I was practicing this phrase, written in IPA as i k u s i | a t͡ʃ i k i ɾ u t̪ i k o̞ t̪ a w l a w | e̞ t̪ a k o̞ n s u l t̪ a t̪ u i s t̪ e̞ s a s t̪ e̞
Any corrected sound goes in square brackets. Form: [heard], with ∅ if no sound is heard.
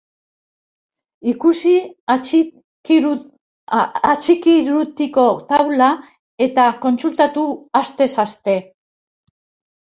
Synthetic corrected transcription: i k u s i | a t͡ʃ i k i ɾ u t̪ i k o̞ t̪ a w l a [∅] | e̞ t̪ a k o̞ n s u l t̪ a t̪ u [a] s t̪ e̞ s a s t̪ e̞